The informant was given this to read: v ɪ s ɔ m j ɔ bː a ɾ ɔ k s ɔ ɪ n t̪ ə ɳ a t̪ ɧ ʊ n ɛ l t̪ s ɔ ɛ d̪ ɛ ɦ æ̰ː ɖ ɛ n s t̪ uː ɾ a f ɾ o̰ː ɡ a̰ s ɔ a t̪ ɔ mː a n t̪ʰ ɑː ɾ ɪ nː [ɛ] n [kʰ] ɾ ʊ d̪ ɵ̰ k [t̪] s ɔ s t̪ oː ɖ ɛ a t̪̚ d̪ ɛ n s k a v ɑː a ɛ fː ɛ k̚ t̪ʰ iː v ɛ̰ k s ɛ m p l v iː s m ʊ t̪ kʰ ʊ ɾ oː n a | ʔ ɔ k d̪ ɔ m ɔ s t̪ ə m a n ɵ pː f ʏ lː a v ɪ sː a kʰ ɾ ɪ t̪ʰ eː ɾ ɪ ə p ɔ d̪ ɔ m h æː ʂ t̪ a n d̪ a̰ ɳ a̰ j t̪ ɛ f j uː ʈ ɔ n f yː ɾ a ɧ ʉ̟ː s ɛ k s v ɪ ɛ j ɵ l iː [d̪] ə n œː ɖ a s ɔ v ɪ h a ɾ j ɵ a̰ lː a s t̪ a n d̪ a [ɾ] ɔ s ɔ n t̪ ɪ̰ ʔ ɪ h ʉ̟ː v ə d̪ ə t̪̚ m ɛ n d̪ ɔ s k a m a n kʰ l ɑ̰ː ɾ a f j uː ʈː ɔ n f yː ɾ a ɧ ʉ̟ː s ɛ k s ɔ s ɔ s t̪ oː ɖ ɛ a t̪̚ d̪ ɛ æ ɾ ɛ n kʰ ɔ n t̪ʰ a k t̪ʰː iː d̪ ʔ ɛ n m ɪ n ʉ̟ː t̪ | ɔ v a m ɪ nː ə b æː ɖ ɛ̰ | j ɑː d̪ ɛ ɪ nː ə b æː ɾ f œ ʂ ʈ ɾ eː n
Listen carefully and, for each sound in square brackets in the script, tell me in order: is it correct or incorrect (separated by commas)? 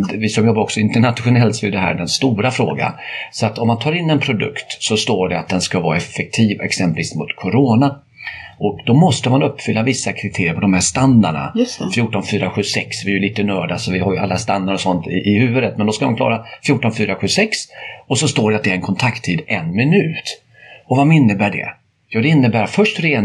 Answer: correct, incorrect, correct, incorrect, correct